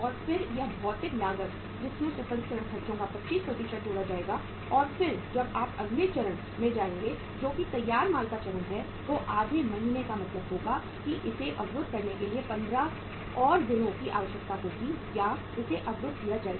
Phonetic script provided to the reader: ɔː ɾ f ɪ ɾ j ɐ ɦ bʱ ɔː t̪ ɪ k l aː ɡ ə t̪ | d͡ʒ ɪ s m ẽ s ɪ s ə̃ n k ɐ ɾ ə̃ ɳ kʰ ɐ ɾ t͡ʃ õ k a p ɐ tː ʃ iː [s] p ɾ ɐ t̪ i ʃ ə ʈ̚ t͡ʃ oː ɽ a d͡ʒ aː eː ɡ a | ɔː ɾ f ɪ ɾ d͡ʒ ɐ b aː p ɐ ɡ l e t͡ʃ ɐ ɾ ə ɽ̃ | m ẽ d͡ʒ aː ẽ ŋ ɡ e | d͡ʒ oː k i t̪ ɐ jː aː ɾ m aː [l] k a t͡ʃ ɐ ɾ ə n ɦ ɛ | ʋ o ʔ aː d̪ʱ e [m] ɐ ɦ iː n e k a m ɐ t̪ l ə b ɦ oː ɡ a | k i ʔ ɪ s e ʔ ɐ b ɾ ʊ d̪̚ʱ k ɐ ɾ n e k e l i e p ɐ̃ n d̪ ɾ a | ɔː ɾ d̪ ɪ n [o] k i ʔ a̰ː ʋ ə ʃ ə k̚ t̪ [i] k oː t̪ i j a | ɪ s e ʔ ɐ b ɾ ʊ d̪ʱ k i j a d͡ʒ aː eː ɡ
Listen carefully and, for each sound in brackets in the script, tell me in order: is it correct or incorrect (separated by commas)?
correct, correct, correct, incorrect, incorrect